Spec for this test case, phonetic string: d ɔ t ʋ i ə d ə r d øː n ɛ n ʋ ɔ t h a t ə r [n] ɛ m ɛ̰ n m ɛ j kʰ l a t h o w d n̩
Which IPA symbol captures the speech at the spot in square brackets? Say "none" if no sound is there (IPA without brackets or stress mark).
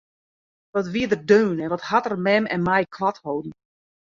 m